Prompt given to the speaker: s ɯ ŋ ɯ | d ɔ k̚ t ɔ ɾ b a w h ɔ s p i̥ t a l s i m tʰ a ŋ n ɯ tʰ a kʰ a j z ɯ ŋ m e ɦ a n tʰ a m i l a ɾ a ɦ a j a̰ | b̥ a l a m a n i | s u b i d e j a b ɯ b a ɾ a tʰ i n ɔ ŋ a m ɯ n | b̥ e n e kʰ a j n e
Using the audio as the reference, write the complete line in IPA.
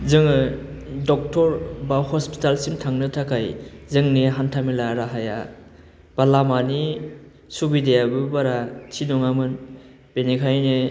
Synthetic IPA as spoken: z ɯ ŋ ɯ | d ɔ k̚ t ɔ ɾ b a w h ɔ s p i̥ t a l s i m tʰ a ŋ n ɯ tʰ a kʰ a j z ɯ ŋ n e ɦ a n tʰ a m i l a ɾ a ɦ a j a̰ | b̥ a l a m a n i | s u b i d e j a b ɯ b a ɾ a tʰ i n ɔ ŋ a m ɯ n | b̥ e n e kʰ a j n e